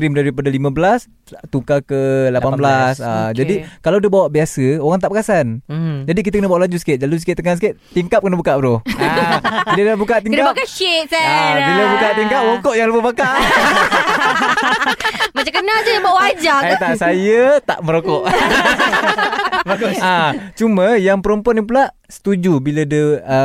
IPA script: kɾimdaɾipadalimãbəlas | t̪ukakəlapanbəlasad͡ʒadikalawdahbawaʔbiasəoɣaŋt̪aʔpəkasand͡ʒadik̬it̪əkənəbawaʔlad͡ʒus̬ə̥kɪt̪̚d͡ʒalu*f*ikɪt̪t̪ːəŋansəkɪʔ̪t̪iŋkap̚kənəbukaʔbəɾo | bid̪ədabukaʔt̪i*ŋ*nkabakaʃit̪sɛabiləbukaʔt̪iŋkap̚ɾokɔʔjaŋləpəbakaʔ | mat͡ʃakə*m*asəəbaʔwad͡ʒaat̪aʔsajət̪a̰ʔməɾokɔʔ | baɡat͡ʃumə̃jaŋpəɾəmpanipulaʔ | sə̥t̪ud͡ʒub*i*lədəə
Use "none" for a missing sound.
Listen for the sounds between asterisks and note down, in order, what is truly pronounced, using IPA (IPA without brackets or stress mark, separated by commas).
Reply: s, ŋ, n, i